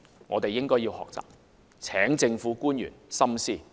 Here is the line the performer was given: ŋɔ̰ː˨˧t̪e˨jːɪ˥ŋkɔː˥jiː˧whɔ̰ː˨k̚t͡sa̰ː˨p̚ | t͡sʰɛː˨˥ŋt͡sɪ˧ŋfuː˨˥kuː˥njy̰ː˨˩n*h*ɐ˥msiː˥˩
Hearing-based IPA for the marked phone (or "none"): s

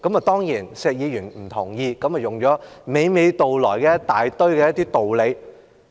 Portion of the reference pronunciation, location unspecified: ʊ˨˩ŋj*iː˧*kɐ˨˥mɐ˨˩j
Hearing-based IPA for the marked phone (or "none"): iː˧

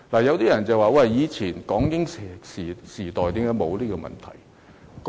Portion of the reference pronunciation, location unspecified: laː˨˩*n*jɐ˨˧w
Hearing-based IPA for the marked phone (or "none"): none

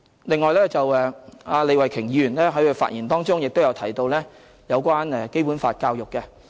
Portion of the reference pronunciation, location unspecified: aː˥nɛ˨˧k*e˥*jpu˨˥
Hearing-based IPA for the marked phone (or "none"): e˥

